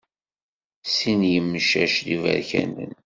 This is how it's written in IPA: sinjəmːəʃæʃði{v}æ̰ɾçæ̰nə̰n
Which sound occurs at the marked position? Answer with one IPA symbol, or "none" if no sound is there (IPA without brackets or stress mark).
v